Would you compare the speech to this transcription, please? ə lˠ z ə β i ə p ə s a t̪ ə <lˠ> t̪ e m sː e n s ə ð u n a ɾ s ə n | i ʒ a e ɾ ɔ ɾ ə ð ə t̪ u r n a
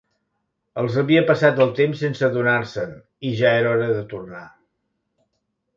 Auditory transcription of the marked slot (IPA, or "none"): lˠ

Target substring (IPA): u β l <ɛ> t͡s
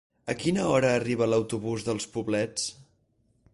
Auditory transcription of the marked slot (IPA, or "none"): ɛ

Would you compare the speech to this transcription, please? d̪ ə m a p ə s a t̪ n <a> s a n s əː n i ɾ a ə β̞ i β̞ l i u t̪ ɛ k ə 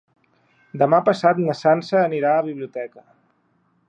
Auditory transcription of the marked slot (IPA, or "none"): ə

